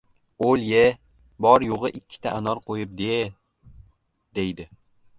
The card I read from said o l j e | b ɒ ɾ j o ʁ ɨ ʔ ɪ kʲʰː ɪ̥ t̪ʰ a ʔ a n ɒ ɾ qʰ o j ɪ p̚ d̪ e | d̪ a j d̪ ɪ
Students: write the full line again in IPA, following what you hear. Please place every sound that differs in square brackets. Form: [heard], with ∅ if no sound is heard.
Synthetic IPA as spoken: o l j e | b ɒ ɾ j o ʁ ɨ ʔ ɪ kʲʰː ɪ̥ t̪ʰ a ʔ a n ɒ ɾ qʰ o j ɪ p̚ d̪ e | d̪ [e] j d̪ ɪ